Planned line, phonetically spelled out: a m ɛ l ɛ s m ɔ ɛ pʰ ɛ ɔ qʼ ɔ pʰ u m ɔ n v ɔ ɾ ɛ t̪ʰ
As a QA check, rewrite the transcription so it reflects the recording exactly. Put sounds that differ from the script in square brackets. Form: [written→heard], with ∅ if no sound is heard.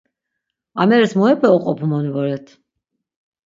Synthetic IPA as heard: a m ɛ [l→ɾ] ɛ s m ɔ ɛ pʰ ɛ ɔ qʼ ɔ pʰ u m ɔ n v ɔ ɾ ɛ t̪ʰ